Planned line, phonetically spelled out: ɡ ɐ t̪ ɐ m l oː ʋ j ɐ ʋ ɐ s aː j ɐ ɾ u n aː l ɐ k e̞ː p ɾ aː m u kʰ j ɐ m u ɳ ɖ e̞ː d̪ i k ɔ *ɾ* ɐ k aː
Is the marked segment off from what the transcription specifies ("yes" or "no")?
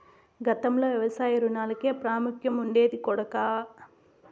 yes